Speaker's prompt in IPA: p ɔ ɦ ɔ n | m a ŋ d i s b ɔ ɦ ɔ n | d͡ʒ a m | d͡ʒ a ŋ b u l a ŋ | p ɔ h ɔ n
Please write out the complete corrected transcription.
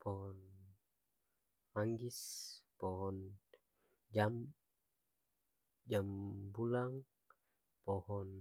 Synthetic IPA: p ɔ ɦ ɔ n | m a ŋ ɡ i s p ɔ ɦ ɔ n | d͡ʒ a m | d͡ʒ a m b u l a ŋ | p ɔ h ɔ n